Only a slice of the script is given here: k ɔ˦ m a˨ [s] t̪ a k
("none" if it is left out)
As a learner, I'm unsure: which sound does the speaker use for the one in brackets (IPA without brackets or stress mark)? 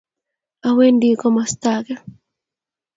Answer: s